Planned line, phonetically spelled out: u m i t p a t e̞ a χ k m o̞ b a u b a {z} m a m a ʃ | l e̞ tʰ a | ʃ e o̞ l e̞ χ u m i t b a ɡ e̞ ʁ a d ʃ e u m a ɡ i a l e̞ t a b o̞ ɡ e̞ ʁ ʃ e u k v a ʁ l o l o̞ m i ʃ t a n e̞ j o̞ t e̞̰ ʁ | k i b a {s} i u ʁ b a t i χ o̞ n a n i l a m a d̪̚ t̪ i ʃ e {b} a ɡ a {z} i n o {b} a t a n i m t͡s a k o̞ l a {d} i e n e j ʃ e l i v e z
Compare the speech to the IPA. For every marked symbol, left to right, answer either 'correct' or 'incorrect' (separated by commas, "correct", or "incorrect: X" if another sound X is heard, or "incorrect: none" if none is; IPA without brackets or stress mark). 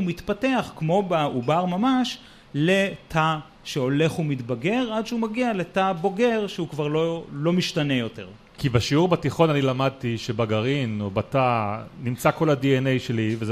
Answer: incorrect: ʁ, incorrect: ʃ, correct, incorrect: ʁ, correct, correct